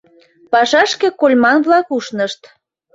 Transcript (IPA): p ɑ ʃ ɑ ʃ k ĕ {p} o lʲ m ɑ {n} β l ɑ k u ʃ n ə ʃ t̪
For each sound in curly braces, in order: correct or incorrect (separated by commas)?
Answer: incorrect, correct